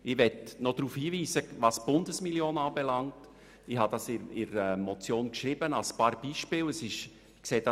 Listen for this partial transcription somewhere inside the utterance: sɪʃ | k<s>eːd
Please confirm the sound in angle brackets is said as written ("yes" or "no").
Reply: yes